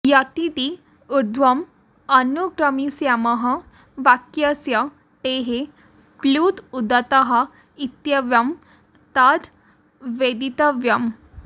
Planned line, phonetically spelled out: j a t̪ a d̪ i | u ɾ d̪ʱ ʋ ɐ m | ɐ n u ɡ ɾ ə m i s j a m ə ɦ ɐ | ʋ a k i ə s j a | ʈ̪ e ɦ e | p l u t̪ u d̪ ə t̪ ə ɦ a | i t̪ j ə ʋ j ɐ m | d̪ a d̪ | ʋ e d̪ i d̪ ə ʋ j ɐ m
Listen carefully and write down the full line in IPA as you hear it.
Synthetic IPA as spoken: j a t̪ i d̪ i | u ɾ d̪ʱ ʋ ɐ m | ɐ n u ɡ ɾ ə m i s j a m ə ɦ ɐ | ʋ a k j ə s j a | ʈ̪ e ɦ e | p l u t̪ u d̪ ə t̪ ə ɦ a | i t̪ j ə ʋ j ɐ m | t̪ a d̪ | ʋ e d̪ i t̪ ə ʋ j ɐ m